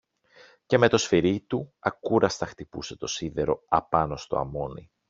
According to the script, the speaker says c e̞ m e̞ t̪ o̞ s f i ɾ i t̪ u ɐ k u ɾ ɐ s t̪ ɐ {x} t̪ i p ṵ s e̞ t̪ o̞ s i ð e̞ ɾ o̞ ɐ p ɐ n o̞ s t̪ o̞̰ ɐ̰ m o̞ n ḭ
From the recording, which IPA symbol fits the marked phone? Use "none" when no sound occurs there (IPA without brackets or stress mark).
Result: x